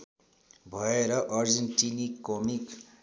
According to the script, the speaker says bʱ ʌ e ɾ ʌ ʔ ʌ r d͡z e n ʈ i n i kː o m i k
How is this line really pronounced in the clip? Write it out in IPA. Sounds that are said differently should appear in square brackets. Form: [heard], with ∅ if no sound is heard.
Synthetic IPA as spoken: bʱ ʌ e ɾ ʌ ʔ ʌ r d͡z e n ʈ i n i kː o m i k